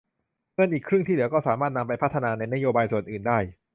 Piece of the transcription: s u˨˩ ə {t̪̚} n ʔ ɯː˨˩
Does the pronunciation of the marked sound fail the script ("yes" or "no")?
yes